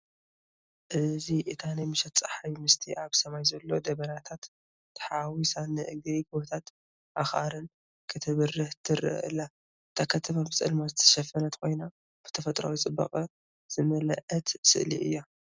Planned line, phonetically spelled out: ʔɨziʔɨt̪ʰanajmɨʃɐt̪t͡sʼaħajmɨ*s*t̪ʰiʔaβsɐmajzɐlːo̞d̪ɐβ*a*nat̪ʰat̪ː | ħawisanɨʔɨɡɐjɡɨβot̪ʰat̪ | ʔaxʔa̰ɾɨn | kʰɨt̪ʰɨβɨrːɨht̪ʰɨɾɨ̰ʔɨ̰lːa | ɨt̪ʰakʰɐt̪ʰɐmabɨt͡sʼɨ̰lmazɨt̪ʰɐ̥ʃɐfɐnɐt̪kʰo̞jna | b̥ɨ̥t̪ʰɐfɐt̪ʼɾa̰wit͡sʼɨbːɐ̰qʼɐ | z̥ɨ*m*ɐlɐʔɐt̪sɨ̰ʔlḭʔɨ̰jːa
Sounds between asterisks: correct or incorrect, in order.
correct, incorrect: ɐ, correct

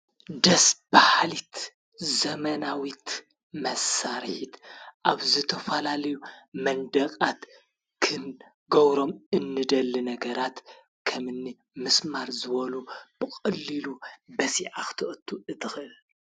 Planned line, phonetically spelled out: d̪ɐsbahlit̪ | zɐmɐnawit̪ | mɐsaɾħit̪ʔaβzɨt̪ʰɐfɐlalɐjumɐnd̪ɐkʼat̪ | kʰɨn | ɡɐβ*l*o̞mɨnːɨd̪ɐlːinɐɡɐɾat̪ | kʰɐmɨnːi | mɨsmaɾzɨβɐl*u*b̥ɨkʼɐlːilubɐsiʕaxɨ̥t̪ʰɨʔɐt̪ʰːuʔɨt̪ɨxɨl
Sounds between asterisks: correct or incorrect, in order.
incorrect: ɾ, correct

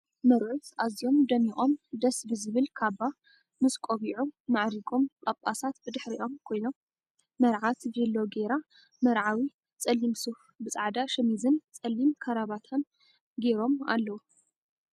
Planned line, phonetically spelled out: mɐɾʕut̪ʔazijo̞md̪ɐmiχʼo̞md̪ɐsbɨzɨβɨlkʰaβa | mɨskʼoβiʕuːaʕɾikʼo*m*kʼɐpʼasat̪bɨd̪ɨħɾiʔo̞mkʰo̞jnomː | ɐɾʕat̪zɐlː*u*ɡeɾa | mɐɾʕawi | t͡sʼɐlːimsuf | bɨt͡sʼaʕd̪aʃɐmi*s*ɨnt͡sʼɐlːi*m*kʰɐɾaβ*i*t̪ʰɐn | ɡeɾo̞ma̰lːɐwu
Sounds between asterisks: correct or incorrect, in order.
correct, incorrect: o, incorrect: z, correct, incorrect: a

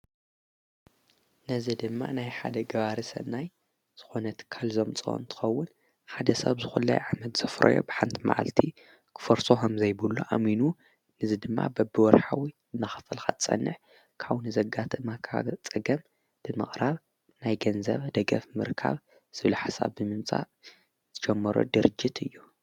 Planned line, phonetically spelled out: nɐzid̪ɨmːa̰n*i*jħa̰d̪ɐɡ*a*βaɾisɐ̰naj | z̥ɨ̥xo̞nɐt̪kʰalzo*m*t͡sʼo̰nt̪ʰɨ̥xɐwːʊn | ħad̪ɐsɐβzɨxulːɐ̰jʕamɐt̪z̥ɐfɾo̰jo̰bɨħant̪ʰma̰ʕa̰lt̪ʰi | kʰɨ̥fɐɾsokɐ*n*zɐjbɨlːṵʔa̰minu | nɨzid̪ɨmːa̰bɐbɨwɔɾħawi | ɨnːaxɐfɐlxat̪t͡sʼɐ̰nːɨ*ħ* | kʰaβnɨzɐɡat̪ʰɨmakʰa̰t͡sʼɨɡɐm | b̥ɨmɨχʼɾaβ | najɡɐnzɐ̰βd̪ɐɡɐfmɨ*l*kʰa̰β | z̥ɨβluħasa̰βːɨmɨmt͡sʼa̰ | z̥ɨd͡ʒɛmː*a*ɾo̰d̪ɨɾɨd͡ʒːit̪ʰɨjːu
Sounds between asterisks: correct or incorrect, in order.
incorrect: a, incorrect: ɐ, correct, incorrect: m, correct, incorrect: ɾ, incorrect: ɐ

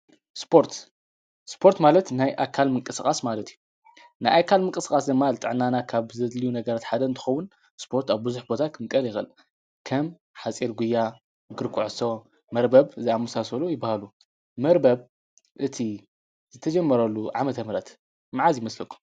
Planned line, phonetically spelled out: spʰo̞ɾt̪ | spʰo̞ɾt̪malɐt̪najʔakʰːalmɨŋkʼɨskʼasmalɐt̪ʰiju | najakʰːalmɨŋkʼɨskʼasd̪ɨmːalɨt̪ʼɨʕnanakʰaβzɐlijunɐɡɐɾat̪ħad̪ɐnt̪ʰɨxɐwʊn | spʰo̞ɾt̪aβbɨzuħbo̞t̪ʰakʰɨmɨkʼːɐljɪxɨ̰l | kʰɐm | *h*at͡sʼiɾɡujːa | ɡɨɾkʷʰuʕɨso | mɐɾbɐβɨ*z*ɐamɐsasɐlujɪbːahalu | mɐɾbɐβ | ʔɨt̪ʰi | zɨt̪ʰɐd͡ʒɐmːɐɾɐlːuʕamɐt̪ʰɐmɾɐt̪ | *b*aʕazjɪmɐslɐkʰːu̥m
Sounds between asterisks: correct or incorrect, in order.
incorrect: ħ, correct, incorrect: m

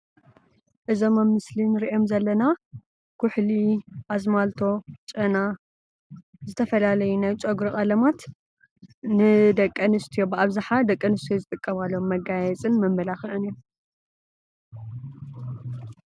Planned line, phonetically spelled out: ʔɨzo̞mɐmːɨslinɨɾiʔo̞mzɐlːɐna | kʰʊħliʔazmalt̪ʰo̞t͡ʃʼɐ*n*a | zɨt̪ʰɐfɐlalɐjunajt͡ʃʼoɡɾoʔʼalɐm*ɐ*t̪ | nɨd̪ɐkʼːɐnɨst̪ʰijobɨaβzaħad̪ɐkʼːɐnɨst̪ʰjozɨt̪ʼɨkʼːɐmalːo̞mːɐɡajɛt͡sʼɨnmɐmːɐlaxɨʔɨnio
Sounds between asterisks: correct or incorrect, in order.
correct, incorrect: a

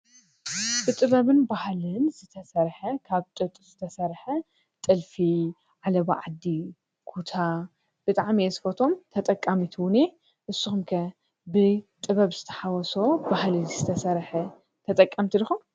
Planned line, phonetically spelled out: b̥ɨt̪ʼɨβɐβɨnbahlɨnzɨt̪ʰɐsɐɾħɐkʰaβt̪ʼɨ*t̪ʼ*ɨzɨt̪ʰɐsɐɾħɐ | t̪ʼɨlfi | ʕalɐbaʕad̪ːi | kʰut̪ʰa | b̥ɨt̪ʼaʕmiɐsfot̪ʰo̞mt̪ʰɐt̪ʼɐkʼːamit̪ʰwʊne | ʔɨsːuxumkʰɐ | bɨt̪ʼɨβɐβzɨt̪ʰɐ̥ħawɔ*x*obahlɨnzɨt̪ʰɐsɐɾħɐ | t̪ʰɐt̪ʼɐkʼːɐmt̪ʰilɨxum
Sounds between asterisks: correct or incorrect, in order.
correct, incorrect: s

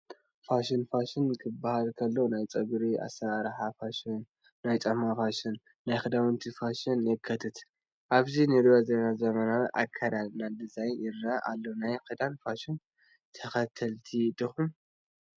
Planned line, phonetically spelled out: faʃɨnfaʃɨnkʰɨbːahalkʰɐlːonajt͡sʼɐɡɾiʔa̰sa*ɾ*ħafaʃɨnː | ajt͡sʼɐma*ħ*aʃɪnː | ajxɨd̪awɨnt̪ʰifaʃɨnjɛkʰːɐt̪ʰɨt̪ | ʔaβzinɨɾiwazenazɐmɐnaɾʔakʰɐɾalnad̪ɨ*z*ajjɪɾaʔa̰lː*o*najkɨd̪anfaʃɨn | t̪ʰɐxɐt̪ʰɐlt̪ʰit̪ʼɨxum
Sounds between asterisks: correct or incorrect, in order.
correct, incorrect: f, correct, correct

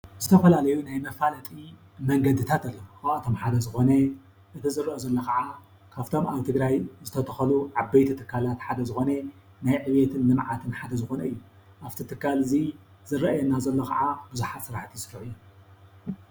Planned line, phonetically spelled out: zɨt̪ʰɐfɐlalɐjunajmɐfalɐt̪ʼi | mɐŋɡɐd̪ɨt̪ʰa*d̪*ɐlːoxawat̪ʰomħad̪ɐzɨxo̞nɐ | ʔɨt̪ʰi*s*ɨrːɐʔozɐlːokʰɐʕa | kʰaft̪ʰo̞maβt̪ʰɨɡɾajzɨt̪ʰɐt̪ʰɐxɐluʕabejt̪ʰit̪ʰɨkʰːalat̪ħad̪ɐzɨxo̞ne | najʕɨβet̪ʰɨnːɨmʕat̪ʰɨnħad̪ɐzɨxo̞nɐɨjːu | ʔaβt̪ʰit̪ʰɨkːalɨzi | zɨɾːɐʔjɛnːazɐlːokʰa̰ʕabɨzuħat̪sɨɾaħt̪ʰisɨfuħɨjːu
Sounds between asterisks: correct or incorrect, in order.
incorrect: t̪, incorrect: z

